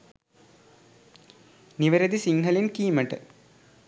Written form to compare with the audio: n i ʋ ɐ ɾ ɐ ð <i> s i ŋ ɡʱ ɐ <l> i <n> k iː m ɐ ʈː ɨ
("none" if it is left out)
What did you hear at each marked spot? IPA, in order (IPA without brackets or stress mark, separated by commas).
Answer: i, l, n